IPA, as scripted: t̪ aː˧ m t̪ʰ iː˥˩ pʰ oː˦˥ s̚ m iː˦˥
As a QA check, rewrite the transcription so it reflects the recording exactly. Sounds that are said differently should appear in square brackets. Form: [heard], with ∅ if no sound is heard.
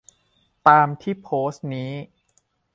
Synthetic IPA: t̪ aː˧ m t̪ʰ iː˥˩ pʰ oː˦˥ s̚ [n] iː˦˥